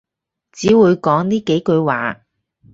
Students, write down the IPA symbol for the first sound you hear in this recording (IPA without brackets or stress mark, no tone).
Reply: t͡s